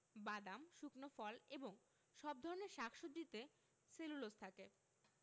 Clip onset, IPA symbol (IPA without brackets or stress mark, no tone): b